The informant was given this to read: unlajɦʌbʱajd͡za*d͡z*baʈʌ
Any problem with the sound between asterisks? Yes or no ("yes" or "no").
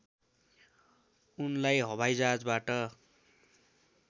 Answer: no